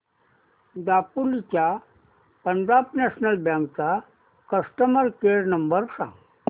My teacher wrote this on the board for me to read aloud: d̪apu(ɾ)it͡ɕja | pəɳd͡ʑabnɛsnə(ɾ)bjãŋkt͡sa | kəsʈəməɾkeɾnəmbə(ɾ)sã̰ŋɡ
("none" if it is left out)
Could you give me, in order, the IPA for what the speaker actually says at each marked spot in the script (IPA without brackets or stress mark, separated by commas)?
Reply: l, l, ɾ